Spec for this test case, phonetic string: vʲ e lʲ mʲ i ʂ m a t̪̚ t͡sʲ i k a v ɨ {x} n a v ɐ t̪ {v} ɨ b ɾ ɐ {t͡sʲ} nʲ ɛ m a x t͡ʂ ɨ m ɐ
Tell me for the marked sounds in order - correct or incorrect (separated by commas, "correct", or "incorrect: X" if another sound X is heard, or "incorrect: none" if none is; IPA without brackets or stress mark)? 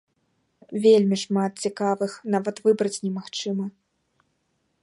correct, correct, correct